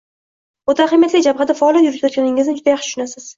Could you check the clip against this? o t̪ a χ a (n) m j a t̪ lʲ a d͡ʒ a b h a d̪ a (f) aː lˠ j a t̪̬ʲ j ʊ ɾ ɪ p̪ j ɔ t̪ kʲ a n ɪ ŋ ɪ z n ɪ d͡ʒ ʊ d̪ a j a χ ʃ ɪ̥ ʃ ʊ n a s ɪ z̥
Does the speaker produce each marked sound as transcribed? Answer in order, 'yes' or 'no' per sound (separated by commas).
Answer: no, yes